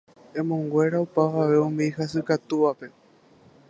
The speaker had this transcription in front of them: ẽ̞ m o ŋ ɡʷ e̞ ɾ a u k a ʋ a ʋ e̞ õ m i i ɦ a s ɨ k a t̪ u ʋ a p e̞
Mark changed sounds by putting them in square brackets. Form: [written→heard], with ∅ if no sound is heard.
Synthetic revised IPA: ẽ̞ m [o→õ] ŋ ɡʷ e̞ ɾ a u [k→p] a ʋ a ʋ e̞ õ m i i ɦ a s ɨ k a t̪ u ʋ a p e̞